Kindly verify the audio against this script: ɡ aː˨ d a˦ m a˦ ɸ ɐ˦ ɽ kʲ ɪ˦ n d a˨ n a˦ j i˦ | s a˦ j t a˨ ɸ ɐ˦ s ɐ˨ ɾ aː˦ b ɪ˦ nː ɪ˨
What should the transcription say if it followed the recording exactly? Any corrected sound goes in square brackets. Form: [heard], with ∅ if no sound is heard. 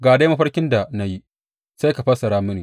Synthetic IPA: ɡ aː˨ d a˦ m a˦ ɸ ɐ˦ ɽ kʲ ɪ˦ n d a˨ n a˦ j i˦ | s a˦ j [k] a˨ ɸ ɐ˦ s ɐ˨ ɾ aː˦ [m] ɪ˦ [n] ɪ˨